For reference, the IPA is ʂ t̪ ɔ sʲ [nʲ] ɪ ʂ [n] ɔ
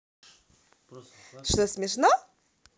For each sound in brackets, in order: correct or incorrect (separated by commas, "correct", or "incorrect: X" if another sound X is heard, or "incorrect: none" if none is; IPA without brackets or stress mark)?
incorrect: mʲ, correct